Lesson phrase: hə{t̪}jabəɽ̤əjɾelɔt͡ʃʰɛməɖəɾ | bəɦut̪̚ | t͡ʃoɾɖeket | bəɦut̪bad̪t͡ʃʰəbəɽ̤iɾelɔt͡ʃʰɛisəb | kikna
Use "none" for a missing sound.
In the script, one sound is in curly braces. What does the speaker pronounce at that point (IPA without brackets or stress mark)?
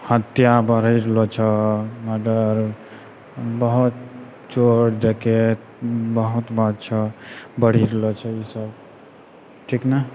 t̪